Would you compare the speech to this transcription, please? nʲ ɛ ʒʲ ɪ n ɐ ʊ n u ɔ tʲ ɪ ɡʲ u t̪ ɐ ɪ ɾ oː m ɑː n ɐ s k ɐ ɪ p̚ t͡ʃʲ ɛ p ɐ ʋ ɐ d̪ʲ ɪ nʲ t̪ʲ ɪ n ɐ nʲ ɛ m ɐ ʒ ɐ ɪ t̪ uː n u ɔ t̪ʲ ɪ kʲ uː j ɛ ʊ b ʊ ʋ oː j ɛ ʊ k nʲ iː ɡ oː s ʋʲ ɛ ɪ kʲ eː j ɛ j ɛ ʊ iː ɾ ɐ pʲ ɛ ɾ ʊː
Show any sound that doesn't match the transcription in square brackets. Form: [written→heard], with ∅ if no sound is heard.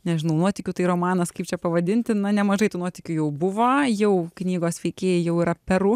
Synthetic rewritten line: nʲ ɛ ʒʲ ɪ n ɐ ʊ n u ɔ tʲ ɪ [ɡʲ→kʲ] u t̪ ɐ ɪ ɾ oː m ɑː n ɐ s k ɐ ɪ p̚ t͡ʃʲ ɛ p ɐ ʋ ɐ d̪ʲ ɪ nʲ t̪ʲ ɪ n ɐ nʲ ɛ m ɐ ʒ ɐ ɪ t̪ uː n u ɔ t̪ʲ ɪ kʲ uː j ɛ ʊ b ʊ ʋ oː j ɛ ʊ k nʲ iː ɡ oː s ʋʲ ɛ ɪ kʲ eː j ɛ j ɛ ʊ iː ɾ ɐ pʲ ɛ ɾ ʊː